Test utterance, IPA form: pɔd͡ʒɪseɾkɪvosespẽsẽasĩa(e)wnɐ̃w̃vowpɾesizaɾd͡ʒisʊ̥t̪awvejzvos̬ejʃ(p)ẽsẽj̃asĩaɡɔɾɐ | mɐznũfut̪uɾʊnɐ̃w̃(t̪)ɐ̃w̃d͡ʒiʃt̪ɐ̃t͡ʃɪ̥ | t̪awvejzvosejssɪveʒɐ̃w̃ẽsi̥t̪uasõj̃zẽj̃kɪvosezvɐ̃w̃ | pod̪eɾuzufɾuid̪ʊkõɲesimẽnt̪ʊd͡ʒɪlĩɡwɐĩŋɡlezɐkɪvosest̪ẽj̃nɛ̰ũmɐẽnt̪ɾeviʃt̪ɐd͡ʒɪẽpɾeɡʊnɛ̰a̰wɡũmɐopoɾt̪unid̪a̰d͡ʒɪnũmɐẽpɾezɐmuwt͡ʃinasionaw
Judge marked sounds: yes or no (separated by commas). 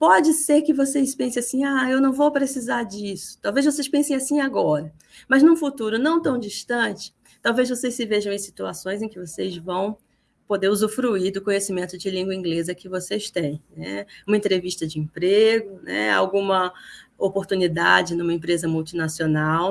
yes, yes, yes